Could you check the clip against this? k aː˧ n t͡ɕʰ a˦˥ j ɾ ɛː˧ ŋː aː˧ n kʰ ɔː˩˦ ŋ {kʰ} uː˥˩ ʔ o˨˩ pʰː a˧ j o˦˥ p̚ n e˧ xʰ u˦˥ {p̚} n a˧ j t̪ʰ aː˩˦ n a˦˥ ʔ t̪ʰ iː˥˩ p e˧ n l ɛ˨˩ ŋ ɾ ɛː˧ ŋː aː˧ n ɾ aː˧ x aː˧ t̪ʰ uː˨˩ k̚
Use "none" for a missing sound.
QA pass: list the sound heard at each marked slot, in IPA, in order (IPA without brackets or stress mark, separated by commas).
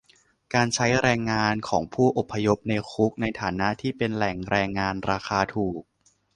pʰ, k̚